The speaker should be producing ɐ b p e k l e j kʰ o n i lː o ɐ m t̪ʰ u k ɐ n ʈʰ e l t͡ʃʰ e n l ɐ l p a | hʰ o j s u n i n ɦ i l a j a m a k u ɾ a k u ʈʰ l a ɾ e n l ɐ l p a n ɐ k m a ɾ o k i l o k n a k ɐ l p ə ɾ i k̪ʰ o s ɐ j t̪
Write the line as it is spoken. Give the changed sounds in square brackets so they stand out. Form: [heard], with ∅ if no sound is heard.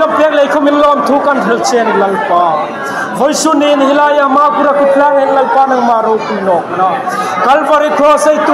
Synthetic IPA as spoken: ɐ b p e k l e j kʰ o [m] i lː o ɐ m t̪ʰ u k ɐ n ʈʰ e l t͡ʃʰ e n l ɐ l p a | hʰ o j s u n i n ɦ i l a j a m a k u ɾ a k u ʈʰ l a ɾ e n l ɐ l p a n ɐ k m a ɾ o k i l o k n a k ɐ l p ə ɾ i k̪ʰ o s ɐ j t̪

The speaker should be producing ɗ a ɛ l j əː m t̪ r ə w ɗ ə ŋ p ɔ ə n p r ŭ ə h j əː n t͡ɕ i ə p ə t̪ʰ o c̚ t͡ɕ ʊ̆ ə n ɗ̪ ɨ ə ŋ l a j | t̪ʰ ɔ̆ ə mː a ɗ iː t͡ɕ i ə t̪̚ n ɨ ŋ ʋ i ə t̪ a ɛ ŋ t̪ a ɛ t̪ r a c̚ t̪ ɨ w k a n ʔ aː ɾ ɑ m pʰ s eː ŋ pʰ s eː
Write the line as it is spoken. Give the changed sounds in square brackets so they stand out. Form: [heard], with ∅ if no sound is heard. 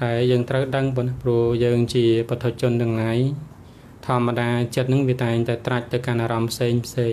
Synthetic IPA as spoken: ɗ a ɛ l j əː [ŋ] t̪ r ə w ɗ ə ŋ p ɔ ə n p r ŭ ə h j əː [ŋ] t͡ɕ i ə p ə t̪ʰ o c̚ t͡ɕ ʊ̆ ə n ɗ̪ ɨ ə ŋ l a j | t̪ʰ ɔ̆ ə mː a ɗ [aː] t͡ɕ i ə t̪̚ n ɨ ŋ ʋ i ə t̪ a ɛ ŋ t̪ a ɛ t̪ r a c̚ t̪ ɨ w k a n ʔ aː ɾ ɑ m pʰ s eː ŋ pʰ s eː

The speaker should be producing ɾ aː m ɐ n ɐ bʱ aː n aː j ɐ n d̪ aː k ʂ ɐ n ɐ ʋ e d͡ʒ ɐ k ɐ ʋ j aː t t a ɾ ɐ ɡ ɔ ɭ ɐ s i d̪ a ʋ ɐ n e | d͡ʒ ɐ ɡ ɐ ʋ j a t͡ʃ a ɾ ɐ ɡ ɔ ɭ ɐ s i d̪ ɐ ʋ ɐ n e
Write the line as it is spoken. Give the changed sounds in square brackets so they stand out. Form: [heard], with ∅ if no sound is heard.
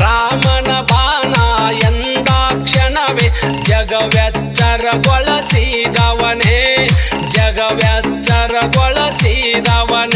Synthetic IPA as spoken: ɾ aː m ɐ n ɐ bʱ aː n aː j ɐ n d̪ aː k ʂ ɐ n ɐ ʋ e d͡ʒ ɐ [ɡ] ɐ ʋ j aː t [t͡ʃ] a ɾ ɐ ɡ ɔ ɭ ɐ s i d̪ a ʋ ɐ n e | d͡ʒ ɐ ɡ ɐ ʋ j a t͡ʃ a ɾ ɐ ɡ ɔ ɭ ɐ s i d̪ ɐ ʋ ɐ n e

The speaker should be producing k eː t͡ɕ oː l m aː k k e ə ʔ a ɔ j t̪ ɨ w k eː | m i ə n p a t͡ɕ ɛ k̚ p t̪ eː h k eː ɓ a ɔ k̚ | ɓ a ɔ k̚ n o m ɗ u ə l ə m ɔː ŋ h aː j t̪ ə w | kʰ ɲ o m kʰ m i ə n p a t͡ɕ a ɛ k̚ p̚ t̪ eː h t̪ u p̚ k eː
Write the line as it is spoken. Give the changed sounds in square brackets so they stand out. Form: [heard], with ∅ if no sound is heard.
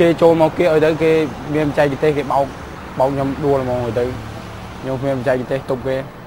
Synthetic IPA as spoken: k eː t͡ɕ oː l m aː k k e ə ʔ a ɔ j t̪ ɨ w k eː | m i ə n p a t͡ɕ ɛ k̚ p t̪ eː h k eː ɓ a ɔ k̚ | ɓ a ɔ k̚ [ɲ] o m ɗ u ə l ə m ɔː ŋ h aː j t̪ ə w | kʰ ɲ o m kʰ m i ə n p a t͡ɕ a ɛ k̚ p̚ t̪ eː h t̪ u p̚ k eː

